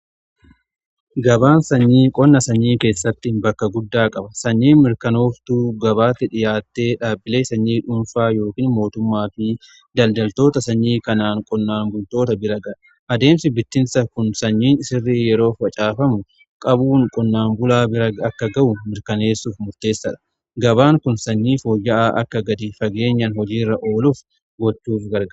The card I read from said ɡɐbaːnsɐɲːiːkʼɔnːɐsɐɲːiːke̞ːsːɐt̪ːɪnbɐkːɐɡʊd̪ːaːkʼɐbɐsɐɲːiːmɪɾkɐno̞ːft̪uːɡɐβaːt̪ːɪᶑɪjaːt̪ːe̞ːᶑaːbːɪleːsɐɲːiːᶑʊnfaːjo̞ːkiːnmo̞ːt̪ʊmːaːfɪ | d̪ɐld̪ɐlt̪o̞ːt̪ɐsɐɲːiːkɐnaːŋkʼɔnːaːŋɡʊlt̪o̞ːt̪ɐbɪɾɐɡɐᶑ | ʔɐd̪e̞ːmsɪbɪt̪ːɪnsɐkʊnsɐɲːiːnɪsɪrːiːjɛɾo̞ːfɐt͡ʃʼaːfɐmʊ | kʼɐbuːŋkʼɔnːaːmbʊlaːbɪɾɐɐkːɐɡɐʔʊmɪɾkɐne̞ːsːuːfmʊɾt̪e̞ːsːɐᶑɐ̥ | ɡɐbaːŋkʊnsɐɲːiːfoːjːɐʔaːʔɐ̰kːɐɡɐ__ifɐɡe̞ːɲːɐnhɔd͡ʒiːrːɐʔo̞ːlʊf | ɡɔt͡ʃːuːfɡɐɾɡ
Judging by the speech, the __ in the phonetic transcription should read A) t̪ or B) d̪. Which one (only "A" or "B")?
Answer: B